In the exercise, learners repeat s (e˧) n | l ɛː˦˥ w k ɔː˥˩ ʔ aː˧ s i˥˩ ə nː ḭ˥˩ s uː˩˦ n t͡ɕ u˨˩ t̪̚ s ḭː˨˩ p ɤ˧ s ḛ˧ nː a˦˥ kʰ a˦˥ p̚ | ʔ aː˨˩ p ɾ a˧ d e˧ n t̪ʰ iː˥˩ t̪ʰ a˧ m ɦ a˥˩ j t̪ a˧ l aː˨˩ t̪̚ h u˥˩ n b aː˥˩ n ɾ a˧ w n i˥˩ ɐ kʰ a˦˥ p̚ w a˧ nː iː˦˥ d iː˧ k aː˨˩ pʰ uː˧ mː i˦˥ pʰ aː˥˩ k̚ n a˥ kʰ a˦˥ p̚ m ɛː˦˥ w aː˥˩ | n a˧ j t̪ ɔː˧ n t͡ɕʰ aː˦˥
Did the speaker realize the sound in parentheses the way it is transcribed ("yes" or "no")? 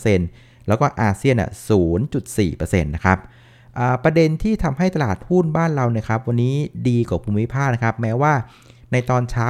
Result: yes